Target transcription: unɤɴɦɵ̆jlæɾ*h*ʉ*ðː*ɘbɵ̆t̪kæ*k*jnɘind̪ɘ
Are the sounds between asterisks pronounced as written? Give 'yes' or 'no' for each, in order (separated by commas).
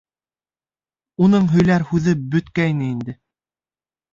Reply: yes, no, no